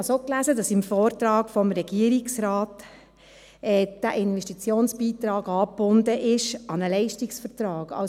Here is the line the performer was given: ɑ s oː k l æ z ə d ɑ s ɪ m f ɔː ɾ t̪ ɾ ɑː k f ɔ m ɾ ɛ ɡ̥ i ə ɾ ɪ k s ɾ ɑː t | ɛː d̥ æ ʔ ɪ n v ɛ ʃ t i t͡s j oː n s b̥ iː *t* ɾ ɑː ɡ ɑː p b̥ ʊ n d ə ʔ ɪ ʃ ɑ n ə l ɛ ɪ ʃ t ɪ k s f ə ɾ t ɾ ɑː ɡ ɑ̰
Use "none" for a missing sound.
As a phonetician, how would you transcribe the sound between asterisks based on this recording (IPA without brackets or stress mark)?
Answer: t